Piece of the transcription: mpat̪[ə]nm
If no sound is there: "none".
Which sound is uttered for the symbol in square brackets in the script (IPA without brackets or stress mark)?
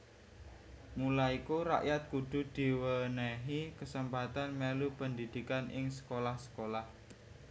a